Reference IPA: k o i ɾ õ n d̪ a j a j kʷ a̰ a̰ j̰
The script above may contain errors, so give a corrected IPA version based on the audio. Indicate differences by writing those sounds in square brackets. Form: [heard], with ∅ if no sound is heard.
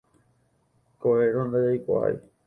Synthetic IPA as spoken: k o [e] ɾ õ n d̪ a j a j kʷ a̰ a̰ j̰